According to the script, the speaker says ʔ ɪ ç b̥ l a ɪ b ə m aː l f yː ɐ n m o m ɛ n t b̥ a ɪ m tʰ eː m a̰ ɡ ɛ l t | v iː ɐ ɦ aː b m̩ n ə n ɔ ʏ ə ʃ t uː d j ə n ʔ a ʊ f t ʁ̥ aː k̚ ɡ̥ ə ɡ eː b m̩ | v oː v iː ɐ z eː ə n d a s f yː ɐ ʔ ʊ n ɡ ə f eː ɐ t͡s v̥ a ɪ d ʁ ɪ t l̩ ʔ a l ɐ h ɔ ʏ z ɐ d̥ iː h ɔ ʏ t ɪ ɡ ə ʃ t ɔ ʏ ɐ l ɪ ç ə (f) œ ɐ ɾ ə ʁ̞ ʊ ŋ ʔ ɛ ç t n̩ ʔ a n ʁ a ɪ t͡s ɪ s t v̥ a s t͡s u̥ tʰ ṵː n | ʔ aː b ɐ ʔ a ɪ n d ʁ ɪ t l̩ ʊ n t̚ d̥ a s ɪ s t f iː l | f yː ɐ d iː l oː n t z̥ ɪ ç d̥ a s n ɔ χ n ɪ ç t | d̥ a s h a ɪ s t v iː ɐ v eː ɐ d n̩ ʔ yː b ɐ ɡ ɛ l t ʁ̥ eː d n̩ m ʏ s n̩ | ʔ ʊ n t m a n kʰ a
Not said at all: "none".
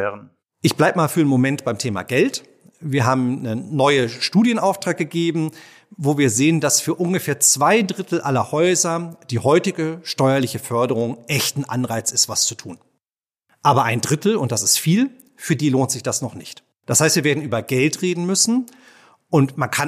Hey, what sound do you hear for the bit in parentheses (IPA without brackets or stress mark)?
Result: f